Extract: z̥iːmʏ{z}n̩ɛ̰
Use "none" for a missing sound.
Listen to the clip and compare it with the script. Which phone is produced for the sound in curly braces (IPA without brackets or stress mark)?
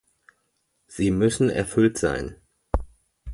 s